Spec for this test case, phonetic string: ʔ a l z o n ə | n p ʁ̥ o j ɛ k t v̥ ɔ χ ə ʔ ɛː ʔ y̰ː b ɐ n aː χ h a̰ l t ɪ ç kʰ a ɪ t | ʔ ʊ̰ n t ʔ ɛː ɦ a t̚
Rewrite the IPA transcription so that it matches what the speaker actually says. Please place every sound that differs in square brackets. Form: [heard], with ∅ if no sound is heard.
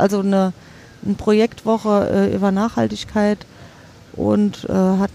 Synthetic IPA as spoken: ʔ a l z o n ə | n p ʁ̥ o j ɛ k t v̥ ɔ χ ə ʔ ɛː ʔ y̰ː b ɐ n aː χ h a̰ l t ɪ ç kʰ a ɪ t | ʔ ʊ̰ n t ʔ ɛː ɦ a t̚